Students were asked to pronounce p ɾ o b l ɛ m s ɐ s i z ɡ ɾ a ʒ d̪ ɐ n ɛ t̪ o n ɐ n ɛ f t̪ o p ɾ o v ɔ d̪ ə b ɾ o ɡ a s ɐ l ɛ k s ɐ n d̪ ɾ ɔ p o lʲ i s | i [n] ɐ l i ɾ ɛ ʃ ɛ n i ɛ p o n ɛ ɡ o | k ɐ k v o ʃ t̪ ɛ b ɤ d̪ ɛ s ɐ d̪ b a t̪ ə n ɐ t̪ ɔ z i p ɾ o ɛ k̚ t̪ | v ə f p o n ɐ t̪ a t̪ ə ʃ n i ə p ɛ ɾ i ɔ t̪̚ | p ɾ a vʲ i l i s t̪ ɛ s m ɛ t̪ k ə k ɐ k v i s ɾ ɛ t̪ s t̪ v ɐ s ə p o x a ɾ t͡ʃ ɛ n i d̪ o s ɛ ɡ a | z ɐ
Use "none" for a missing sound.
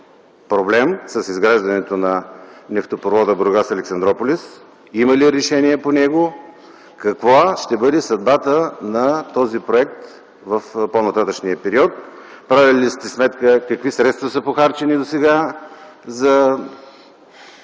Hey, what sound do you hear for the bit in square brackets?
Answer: m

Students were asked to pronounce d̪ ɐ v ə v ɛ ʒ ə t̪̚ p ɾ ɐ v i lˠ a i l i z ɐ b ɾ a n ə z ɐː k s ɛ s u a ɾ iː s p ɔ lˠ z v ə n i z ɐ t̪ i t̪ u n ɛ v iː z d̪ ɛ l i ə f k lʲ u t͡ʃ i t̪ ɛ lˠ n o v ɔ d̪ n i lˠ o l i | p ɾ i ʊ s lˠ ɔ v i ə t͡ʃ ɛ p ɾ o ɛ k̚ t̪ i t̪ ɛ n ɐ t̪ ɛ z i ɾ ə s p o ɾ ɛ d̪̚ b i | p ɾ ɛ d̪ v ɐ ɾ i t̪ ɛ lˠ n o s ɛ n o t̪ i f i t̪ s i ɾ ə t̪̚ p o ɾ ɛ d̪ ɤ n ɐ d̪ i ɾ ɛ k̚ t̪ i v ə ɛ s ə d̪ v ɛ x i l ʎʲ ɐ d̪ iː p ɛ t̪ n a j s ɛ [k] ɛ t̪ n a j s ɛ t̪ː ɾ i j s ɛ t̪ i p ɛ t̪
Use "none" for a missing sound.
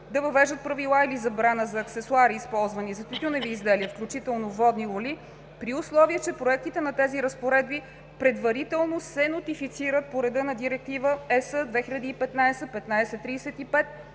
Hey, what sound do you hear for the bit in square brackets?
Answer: p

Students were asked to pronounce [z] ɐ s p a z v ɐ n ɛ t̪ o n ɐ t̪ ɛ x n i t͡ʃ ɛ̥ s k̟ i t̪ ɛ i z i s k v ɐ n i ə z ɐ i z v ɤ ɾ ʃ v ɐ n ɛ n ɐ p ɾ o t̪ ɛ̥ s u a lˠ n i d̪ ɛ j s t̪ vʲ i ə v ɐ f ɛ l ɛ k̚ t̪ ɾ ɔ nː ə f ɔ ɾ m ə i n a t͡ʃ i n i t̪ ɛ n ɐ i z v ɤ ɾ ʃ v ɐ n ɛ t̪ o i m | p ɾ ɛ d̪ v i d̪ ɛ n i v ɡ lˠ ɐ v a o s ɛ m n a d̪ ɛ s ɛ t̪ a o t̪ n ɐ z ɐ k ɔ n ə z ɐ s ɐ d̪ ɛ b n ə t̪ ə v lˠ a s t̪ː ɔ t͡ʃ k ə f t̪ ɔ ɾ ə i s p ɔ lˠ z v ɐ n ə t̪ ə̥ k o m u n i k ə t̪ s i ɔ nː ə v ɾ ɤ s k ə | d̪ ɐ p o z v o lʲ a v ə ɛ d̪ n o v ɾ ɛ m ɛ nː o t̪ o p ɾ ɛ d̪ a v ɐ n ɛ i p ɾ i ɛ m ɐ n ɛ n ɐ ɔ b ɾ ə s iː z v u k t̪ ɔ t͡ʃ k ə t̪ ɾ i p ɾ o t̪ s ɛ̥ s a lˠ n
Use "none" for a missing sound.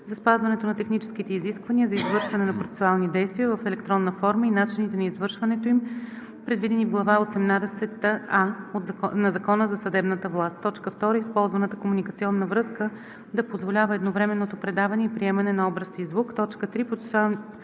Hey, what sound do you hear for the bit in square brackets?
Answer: z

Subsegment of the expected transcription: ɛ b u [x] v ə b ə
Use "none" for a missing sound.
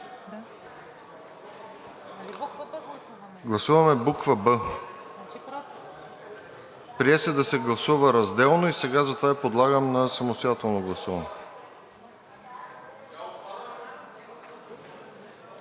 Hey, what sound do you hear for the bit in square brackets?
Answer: k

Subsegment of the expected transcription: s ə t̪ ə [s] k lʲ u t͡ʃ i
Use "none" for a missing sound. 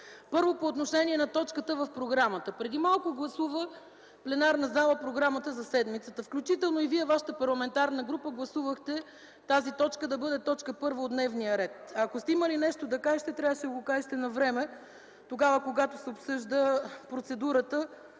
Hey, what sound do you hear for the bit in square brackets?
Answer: f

